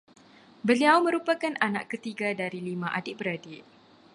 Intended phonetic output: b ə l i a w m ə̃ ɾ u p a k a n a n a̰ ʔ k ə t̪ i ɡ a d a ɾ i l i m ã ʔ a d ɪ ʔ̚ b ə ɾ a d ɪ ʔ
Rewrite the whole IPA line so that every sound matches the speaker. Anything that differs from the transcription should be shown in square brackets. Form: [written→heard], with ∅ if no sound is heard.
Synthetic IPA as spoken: b ə l i a w m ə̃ ɾ u p a k a n a n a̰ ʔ k ə t̪ i ɡ a d a ɾ i l i m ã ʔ a d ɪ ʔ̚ b ə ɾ a d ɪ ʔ

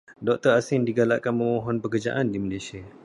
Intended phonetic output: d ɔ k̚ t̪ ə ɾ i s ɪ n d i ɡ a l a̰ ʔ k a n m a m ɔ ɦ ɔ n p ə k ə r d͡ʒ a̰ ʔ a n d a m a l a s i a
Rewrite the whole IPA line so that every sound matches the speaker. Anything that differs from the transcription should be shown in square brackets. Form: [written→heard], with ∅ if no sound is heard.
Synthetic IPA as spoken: d ɔ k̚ t̪ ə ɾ [i→a] s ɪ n d i ɡ a l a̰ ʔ k a n m [a→ə] m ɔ ɦ ɔ n p ə k ə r d͡ʒ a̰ ʔ a n d [a→i] m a l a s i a

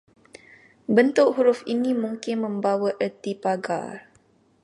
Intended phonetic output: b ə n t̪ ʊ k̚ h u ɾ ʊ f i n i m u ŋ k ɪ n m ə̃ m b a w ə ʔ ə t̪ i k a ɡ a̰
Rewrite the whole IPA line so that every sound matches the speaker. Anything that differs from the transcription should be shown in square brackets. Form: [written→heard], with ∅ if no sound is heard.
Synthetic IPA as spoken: b ə n t̪ ʊ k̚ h u ɾ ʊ f i n i m u ŋ k ɪ n m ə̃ m b a w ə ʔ ə t̪ i [k→p] a ɡ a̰

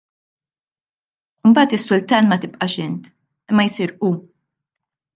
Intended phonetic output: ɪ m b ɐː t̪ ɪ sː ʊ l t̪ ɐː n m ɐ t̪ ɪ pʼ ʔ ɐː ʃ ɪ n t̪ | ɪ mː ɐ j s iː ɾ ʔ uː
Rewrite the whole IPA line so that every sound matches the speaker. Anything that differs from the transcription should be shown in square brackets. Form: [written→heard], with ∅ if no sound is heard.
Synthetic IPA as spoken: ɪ m b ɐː t̪ ɪ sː ʊ l t̪ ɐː n m ɐ t̪ ɪ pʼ ʔ [ɐː→ɐ] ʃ ɪ n t̪ | ɪ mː ɐ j s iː ɾ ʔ uː

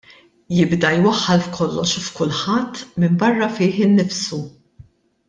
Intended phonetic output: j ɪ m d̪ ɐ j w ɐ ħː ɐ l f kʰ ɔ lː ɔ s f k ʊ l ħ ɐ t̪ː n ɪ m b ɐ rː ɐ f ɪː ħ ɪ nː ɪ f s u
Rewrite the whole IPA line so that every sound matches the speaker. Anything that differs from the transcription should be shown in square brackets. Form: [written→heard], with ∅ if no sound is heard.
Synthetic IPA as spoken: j ɪ [m→b] d̪ ɐ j w ɐ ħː ɐ l f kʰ ɔ lː ɔ [s→ʃ] f k ʊ l ħ ɐ t̪ː [n→m] ɪ m b ɐ rː ɐ f ɪː ħ ɪ nː ɪ f s u

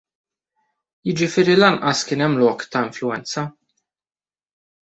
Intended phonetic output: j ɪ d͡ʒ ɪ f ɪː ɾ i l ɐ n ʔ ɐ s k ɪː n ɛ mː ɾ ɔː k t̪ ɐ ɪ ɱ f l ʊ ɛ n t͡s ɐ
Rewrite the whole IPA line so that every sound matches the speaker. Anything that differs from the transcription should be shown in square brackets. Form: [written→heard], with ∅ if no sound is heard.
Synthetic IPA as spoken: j ɪ d͡ʒ ɪ f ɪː ɾ i l ɐ n ʔ ɐ s k ɪː n ɛ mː [ɾ→l] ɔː k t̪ ɐ ɪ ɱ f l ʊ ɛ n t͡s ɐ

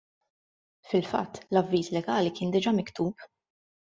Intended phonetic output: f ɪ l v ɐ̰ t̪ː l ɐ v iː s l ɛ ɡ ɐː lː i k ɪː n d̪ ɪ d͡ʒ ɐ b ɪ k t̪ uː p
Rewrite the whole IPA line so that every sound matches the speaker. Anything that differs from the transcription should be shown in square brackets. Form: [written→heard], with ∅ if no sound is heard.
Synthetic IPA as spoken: f ɪ l [v→f] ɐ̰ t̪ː l ɐ [v→vː] iː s l ɛ ɡ ɐː [lː→l] i k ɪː n d̪ ɪ d͡ʒ ɐ [b→m] ɪ k t̪ uː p

